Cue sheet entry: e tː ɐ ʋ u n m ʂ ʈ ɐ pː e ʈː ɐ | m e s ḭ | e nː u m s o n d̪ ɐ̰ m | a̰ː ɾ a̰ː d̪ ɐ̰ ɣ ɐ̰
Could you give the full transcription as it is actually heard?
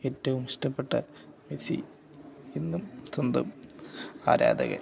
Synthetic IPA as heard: e tː ɐ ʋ u m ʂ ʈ ɐ pː e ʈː ɐ | m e s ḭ | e nː u m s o n d̪ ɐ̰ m | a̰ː ɾ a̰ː d̪ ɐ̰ ɣ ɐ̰